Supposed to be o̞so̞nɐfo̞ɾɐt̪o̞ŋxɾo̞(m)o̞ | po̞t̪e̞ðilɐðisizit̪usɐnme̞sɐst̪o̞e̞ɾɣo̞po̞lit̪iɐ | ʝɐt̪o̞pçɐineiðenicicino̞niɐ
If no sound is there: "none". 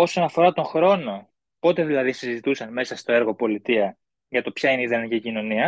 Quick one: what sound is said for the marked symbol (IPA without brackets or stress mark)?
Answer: n